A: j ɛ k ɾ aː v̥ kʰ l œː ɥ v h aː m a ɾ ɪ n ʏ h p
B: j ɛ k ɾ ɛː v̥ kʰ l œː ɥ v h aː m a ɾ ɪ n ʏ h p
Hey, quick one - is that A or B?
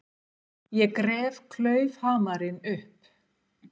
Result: B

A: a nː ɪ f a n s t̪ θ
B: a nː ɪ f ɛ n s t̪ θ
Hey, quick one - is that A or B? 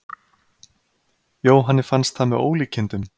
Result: A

